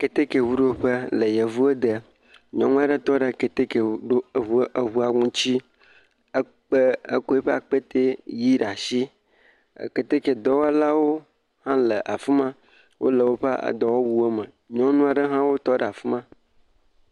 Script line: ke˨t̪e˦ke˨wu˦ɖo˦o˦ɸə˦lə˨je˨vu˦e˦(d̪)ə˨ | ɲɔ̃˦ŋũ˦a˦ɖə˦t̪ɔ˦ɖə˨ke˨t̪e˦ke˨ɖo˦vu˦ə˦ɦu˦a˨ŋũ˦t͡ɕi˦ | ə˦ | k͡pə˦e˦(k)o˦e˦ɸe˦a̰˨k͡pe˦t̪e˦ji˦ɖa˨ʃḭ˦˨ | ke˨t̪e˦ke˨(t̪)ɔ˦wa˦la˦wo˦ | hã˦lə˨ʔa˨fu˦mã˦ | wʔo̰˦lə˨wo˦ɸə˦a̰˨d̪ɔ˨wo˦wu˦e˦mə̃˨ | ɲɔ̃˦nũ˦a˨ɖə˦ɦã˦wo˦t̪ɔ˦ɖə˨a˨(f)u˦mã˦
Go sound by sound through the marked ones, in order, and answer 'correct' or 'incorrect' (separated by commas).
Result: correct, correct, incorrect, correct